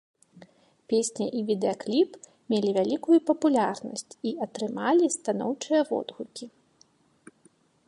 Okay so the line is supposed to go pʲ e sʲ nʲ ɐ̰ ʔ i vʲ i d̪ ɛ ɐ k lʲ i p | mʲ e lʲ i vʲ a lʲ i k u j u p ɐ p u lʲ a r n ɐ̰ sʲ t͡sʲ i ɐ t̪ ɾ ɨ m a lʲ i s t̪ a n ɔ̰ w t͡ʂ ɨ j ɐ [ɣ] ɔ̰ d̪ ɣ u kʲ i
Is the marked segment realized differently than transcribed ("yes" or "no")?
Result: yes